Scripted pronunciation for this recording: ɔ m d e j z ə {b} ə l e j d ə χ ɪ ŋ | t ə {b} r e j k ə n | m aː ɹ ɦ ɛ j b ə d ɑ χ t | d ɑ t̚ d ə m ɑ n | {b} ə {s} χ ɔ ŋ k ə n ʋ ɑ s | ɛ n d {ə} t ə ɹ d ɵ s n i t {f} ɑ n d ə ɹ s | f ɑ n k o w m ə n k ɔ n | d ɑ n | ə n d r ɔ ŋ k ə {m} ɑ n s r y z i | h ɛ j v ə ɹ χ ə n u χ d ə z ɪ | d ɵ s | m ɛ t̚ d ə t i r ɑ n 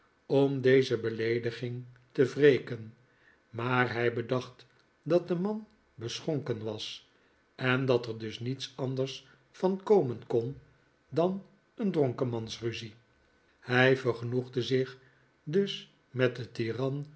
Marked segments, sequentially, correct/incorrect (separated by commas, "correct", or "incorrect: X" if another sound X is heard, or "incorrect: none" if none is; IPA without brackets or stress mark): correct, incorrect: v, correct, correct, incorrect: ɑ, incorrect: s, correct